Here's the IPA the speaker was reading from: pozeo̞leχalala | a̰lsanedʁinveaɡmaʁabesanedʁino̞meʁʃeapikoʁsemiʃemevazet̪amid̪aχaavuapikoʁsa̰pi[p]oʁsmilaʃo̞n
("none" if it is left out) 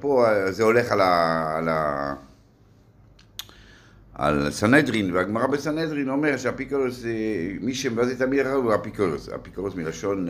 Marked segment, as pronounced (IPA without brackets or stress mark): k